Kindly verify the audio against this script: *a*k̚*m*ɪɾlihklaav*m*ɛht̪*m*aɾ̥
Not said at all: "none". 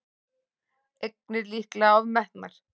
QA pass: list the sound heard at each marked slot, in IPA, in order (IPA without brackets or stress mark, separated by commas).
e, n, m, n